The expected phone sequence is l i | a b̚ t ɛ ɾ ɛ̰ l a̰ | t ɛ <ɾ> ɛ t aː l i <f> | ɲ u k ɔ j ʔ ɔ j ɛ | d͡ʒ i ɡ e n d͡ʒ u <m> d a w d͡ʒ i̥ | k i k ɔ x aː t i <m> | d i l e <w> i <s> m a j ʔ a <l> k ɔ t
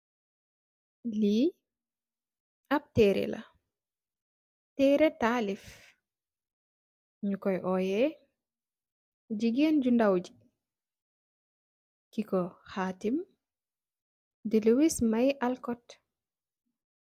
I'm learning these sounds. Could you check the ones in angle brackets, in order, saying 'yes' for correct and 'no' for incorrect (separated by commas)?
yes, yes, no, yes, yes, yes, yes